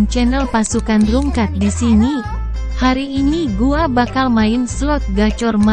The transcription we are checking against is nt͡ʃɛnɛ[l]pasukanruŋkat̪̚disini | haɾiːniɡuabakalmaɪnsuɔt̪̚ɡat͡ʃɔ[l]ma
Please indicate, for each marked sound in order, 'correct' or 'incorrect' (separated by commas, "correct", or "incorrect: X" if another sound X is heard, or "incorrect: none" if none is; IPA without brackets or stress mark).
correct, incorrect: r